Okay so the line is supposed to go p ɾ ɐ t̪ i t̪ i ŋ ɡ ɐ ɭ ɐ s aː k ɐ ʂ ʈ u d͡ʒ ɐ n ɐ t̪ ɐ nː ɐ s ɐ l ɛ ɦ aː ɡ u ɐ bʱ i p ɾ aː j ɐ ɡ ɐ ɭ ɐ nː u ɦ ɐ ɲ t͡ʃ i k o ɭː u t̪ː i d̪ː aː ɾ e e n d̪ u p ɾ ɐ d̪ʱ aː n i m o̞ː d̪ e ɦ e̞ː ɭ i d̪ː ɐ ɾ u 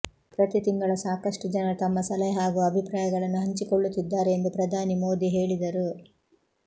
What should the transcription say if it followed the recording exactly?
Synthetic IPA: p ɾ ɐ t̪ i t̪ i ŋ ɡ ɐ ɭ ɐ s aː k ɐ ʂ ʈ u d͡ʒ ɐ n ɐ t̪ ɐ mː ɐ s ɐ l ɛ ɦ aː ɡ u ɐ bʱ i p ɾ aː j ɐ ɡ ɐ ɭ ɐ nː u ɦ ɐ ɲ t͡ʃ i k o ɭː u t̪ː i d̪ː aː ɾ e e n d̪ u p ɾ ɐ d̪ʱ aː n i m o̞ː d̪ i ɦ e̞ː ɭ i d̪ ɐ ɾ u